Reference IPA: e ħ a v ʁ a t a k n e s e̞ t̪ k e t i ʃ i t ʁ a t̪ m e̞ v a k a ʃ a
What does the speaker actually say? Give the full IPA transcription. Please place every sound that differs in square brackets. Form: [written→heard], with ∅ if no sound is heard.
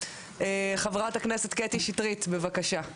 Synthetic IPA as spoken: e [ħ→χ] a v ʁ a t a k n e s e̞ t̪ k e t i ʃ i t ʁ [a→i] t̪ [m→b] e̞ v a k a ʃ a